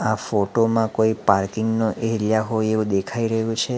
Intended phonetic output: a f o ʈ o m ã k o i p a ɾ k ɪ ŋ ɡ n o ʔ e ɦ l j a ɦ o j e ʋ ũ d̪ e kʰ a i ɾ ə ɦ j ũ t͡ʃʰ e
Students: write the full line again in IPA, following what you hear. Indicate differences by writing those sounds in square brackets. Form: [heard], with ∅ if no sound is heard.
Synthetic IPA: a f o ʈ o m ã k o i p a ɾ k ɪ ŋ ɡ n o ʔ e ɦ l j a ɦ o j e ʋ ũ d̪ e kʰ a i ɾ ə ɦ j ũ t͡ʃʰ e